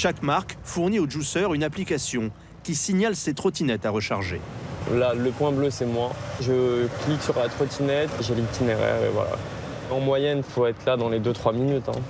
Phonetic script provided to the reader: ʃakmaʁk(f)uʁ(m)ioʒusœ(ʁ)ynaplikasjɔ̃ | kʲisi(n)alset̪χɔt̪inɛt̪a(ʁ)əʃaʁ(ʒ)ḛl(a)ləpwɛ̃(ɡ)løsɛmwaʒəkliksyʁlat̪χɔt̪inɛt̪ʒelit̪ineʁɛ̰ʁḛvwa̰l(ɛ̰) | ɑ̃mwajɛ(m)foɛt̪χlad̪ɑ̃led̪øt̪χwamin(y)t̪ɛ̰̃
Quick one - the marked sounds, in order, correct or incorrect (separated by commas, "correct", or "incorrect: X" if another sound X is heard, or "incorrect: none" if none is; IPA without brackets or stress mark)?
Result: correct, incorrect: n, correct, incorrect: ɲ, correct, correct, correct, incorrect: b, incorrect: a̰, incorrect: n, correct